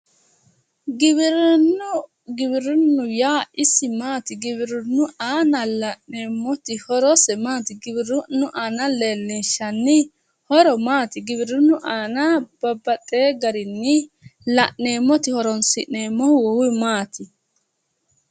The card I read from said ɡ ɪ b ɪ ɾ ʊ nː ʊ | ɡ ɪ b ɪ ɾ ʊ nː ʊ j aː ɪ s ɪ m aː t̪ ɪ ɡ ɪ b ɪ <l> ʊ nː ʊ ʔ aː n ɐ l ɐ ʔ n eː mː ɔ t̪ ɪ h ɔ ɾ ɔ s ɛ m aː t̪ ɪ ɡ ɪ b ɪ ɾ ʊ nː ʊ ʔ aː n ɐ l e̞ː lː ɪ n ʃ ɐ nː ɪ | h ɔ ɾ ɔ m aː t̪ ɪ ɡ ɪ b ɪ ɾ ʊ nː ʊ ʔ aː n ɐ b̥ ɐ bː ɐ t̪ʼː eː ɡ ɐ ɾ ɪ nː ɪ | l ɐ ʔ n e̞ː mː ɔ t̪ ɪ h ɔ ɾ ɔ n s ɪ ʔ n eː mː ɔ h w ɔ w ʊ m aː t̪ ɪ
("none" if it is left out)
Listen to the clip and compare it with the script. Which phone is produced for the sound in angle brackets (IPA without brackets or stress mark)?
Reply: ɾ